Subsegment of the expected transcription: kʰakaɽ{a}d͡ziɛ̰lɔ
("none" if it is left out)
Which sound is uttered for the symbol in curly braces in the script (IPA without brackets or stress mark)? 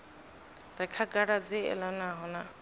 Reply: a